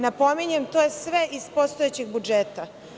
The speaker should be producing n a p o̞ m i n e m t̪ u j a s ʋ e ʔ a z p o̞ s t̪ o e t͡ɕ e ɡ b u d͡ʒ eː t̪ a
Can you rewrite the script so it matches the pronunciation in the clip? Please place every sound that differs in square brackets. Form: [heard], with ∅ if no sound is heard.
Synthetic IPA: n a p o̞ m i [ɲ] e m t̪ [o] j [e] s ʋ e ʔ [i] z p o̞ s t̪ o e t͡ɕ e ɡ b u d͡ʒ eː t̪ a